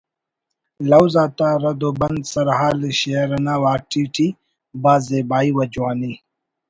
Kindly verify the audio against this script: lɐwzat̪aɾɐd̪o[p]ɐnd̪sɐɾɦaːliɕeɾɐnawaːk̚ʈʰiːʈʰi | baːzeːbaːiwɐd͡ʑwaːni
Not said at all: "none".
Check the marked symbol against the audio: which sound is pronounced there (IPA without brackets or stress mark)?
b